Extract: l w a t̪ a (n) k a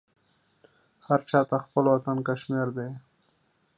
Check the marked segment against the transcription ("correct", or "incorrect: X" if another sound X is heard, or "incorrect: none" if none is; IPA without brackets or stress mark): correct